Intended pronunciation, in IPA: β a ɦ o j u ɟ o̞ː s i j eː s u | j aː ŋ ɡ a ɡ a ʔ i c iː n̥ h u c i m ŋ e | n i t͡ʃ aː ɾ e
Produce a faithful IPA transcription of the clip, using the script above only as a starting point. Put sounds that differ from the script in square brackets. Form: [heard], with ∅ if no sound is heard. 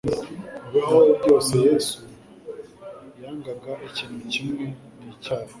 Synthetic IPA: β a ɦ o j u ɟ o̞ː s [e] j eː s u | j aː ŋ ɡ a ɡ a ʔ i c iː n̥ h u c i m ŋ e | n i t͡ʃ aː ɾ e